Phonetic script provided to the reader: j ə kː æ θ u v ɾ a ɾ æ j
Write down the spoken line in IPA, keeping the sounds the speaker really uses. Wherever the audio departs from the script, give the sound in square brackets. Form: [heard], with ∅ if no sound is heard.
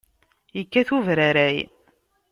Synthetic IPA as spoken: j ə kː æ θ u v ɾ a ɾ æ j